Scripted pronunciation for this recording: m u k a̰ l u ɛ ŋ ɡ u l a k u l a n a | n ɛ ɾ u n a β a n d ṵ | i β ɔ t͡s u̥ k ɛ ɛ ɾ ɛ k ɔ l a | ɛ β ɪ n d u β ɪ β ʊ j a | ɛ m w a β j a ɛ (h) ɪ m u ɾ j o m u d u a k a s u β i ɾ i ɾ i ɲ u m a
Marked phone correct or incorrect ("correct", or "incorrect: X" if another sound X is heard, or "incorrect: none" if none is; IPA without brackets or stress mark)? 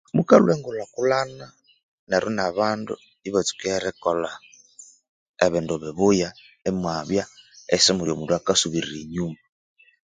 incorrect: s